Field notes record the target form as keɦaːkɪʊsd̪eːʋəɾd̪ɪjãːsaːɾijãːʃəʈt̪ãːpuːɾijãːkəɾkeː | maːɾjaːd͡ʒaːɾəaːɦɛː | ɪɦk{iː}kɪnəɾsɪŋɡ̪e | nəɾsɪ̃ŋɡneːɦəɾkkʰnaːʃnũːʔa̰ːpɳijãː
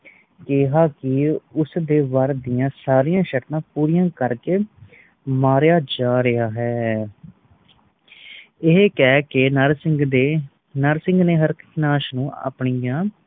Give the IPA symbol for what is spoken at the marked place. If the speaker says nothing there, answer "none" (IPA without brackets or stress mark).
ɛː